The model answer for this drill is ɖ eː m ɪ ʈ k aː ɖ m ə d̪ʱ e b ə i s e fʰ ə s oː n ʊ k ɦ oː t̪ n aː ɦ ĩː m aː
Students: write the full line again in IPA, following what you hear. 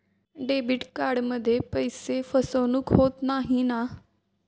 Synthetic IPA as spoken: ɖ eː b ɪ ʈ k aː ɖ m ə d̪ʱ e p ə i s e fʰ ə s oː n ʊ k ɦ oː t̪ n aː ɦ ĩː n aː